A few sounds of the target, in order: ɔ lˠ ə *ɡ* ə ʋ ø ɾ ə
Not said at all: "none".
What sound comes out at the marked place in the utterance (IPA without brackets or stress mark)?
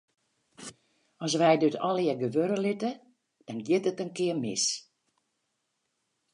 ɡ